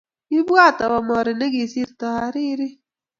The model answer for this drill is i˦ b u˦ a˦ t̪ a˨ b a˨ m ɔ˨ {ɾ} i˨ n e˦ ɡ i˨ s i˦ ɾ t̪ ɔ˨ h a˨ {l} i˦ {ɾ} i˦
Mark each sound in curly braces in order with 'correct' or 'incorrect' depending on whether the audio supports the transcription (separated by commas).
correct, incorrect, correct